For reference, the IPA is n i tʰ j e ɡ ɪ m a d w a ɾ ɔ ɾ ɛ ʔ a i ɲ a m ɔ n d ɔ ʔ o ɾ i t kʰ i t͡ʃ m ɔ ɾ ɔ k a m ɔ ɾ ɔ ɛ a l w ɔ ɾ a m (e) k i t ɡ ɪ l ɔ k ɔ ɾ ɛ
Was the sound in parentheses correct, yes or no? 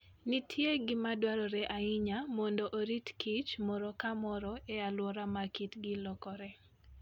no